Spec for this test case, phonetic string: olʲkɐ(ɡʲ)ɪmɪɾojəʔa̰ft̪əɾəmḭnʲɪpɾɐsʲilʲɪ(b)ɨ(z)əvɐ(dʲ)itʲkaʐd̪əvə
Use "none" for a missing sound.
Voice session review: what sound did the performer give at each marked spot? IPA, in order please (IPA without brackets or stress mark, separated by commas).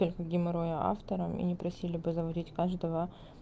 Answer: ɡʲ, b, z, dʲ